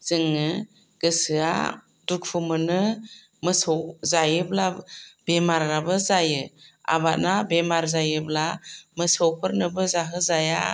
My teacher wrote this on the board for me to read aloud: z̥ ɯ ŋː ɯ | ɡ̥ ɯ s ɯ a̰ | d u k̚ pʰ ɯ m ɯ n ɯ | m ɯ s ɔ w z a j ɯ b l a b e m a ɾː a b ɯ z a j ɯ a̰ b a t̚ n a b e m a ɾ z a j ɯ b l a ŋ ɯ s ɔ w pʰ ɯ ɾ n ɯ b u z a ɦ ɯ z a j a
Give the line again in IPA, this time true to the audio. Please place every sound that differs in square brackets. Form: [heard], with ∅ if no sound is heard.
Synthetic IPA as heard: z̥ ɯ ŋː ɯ | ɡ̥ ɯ s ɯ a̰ | d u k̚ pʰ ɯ m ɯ n ɯ | m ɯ s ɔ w z a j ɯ b l a b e m a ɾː a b ɯ z a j ɯ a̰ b a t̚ n a b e m a ɾ z a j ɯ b l a [m] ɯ s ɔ w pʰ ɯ ɾ n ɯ b [ɯ] z a ɦ ɯ z a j a